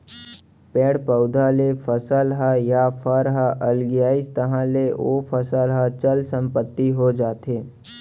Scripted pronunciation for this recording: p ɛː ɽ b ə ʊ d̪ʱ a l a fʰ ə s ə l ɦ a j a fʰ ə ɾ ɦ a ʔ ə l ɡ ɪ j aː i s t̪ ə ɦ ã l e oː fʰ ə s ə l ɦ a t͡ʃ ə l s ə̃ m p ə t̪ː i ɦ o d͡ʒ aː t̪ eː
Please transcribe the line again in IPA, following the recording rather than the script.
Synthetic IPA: p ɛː ɽ p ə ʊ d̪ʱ a l e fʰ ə s ə l ɦ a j a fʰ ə ɾ ɦ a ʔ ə l ɡ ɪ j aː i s t̪ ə ɦ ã l e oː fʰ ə s ə l ɦ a t͡ʃ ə l s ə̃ m p ə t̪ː i ɦ o d͡ʒ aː t̪ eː